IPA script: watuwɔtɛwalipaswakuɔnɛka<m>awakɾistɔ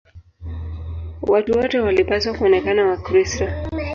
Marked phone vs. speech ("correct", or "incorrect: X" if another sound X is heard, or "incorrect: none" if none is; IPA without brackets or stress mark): incorrect: n